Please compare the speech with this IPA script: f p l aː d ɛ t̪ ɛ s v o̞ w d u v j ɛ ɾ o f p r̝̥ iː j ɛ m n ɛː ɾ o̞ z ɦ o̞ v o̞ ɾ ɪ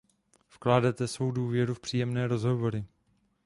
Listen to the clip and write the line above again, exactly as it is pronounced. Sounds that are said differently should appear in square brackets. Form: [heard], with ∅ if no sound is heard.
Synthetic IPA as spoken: f [k] l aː d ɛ t̪ ɛ s v o̞ w d [uː] v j ɛ ɾ [u] f p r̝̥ iː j ɛ m n ɛː ɾ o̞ z ɦ o̞ v o̞ ɾ ɪ